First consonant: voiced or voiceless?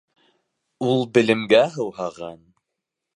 voiced